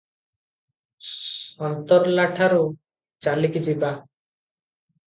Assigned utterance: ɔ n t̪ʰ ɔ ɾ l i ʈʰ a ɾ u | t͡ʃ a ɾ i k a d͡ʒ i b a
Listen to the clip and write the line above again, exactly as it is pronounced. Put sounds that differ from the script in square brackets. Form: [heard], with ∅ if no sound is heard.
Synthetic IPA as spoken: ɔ n [t̪] ɔ ɾ l [a] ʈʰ a ɾ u | t͡ʃ a [l] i k [i] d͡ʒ i b a